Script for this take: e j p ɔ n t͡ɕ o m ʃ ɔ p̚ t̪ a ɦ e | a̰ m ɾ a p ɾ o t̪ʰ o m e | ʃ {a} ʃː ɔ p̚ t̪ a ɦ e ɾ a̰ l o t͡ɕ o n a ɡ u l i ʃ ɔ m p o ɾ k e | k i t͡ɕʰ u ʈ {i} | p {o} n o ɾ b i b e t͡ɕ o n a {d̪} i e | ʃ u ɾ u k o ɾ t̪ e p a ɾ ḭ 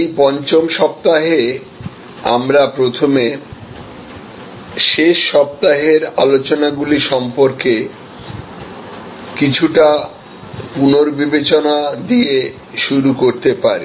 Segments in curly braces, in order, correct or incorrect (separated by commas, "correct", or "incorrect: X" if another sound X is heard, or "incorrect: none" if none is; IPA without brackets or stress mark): incorrect: e, incorrect: a, incorrect: u, correct